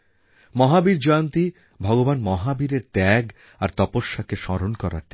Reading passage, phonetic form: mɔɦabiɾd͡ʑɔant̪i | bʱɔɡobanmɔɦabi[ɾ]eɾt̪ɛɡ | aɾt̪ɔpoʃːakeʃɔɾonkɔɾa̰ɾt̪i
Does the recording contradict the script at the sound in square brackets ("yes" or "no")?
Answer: no